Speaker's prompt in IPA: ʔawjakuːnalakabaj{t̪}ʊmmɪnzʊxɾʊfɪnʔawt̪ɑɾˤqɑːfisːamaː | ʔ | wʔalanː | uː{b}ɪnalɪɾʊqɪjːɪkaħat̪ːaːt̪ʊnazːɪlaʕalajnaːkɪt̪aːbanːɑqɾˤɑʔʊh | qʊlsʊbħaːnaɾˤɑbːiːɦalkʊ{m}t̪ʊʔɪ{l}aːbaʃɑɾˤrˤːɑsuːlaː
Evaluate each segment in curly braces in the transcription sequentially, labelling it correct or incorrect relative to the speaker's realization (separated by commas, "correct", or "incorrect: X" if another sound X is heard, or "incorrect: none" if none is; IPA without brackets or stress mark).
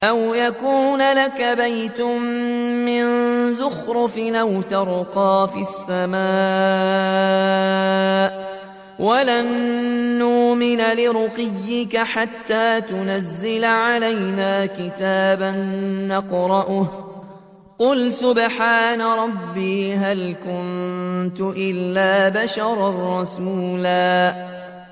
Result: correct, incorrect: m, incorrect: n, incorrect: lː